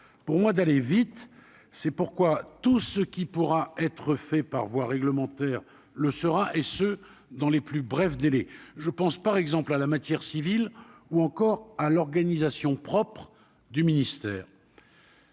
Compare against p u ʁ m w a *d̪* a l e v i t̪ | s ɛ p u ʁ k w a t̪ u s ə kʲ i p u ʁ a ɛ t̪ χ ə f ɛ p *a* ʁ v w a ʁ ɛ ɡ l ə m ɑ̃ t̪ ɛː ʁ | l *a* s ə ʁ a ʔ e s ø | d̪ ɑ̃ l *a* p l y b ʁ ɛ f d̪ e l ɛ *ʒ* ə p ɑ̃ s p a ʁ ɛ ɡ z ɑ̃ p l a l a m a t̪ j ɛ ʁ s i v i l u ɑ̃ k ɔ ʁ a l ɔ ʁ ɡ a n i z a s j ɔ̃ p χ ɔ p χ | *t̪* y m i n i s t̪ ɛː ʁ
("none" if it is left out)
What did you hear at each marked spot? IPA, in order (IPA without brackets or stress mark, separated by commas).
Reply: d̪, a, ə, e, ʒ, d̪